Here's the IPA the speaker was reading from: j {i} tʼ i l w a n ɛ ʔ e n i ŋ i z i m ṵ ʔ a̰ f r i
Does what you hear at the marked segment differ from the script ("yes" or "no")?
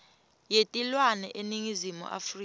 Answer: yes